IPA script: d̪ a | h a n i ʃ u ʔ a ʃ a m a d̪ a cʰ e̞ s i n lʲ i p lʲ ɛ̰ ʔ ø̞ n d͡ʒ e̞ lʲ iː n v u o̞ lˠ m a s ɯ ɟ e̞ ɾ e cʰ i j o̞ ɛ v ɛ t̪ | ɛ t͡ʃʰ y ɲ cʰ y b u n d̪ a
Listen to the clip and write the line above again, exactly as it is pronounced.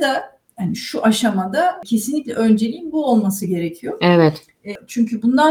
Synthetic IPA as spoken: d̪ a | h a n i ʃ u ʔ a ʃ a m a d̪ a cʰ e̞ s i n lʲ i c lʲ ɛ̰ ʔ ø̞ n d͡ʒ e̞ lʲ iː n b u o̞ lˠ m a s ɯ ɟ e̞ ɾ e cʰ i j o̞ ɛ v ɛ t̪ | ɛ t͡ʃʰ y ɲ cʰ y b u n d̪ a